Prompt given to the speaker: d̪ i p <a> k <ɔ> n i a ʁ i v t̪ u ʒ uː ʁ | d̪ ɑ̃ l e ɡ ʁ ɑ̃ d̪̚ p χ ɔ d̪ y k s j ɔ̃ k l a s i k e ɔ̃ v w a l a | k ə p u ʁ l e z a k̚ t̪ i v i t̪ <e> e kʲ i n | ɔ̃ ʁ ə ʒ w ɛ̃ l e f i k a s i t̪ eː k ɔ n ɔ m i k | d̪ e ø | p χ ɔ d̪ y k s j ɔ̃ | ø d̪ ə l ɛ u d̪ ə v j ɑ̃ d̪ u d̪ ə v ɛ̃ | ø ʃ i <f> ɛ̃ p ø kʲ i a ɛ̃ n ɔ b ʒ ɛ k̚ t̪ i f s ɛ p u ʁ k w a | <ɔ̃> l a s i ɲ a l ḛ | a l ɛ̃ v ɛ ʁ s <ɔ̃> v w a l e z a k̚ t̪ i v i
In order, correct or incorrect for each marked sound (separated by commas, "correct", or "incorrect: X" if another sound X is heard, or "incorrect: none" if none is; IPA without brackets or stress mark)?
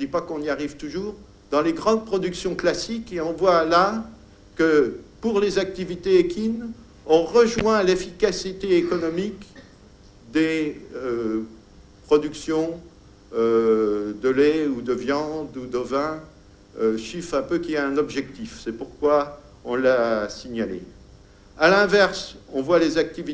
correct, incorrect: ɔ̃, correct, correct, correct, correct